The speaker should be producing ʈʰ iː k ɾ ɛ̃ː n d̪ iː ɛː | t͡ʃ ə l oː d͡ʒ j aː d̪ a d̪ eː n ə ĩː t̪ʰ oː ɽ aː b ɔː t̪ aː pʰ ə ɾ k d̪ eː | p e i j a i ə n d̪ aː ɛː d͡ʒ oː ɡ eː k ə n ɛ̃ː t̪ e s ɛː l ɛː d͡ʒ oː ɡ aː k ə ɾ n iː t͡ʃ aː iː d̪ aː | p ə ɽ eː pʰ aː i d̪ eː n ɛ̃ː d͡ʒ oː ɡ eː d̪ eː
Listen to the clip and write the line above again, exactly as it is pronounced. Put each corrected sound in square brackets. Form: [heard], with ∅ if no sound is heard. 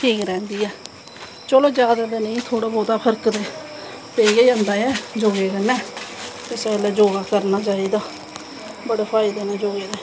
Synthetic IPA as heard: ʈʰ iː k ɾ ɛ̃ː n d̪ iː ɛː | t͡ʃ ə l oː d͡ʒ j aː d̪ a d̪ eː n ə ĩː t̪ʰ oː ɽ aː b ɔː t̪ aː pʰ ə ɾ k d̪ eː | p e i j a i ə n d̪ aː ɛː d͡ʒ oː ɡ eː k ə n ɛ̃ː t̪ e s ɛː l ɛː d͡ʒ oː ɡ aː k ə ɾ n [aː] t͡ʃ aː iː d̪ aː | [b] ə ɽ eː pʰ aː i d̪ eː n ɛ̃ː d͡ʒ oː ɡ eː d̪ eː